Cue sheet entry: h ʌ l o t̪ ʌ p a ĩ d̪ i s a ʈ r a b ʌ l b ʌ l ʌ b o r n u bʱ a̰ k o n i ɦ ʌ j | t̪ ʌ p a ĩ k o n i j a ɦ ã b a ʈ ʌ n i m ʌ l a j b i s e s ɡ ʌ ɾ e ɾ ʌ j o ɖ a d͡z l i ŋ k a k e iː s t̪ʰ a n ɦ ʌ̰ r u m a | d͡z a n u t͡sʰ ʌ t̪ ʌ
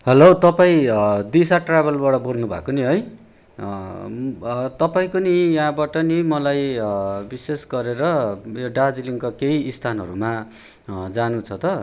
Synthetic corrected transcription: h ʌ l o t̪ ʌ p a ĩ d̪ i s a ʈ r a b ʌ l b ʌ ɽ ʌ b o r n u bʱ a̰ k o n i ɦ ʌ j | t̪ ʌ p a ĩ k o n i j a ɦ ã b a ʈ ʌ n i m ʌ l a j b i s e s ɡ ʌ ɾ e ɾ ʌ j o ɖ a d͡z l i ŋ k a k e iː s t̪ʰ a n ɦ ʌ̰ ɾ u m a | d͡z a n u t͡sʰ ʌ t̪ ʌ